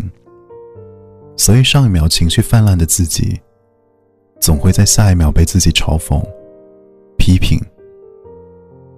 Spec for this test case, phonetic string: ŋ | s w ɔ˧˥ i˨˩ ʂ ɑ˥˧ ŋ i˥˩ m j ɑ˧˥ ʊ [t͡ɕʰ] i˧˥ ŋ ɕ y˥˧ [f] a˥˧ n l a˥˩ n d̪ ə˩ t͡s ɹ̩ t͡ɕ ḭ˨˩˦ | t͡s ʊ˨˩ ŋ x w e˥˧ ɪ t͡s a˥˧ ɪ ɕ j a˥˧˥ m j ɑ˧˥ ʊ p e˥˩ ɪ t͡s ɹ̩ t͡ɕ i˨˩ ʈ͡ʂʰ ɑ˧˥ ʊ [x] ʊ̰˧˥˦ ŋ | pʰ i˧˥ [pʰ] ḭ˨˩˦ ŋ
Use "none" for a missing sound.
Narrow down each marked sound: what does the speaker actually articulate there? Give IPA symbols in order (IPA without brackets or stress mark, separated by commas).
t͡ɕʰ, f, f, pʰ